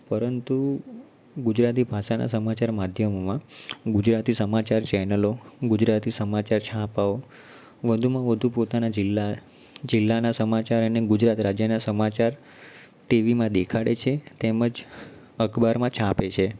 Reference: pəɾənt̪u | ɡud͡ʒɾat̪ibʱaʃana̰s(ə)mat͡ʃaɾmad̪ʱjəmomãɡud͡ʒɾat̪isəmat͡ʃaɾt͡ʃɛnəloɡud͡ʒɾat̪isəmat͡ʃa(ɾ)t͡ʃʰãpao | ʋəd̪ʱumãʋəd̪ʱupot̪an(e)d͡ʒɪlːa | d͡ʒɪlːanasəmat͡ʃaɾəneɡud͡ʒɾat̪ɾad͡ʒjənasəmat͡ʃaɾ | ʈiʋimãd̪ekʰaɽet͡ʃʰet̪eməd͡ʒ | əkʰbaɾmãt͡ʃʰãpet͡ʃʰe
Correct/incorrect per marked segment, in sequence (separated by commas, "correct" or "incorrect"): correct, correct, incorrect